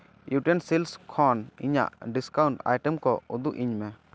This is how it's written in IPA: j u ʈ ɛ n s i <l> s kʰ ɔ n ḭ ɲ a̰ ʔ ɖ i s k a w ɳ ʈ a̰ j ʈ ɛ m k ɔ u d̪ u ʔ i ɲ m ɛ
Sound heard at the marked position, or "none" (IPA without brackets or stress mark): l